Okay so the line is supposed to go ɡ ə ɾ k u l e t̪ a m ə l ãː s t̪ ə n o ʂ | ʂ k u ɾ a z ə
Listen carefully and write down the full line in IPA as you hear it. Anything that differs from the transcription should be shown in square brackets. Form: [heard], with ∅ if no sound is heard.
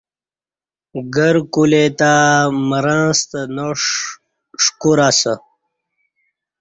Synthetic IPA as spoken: ɡ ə ɾ k u l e t̪ a m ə [ɾ] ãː s t̪ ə n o ʂ | ʂ k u ɾ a [s] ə